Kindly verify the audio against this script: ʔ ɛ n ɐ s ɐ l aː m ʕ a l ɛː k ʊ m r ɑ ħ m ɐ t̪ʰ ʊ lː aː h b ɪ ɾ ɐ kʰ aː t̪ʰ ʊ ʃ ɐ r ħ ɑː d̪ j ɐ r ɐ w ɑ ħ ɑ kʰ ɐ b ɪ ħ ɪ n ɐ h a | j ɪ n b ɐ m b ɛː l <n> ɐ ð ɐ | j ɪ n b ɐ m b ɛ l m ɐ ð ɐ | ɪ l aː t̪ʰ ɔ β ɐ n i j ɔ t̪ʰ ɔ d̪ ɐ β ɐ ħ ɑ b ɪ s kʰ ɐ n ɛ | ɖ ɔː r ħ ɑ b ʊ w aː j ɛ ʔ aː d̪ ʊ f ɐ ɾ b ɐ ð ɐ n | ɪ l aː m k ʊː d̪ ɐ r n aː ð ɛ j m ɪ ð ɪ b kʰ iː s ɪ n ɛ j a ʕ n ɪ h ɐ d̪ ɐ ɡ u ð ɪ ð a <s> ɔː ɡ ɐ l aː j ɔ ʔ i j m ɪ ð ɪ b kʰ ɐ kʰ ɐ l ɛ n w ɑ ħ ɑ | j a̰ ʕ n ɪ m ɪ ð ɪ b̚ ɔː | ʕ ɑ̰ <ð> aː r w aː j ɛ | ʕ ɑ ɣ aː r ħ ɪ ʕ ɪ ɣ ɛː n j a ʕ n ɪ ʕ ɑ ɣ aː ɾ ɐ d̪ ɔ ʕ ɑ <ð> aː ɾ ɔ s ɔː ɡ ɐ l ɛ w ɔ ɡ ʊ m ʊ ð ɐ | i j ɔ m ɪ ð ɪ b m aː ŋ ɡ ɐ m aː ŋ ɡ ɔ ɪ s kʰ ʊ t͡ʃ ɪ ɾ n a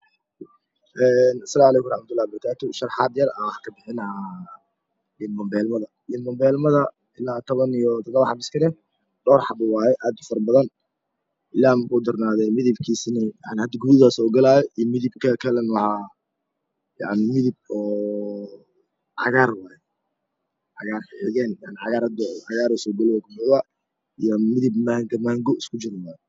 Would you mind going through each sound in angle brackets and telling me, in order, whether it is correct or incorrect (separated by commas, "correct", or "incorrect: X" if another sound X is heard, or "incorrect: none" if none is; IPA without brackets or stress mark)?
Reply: incorrect: m, correct, incorrect: ɣ, incorrect: ɣ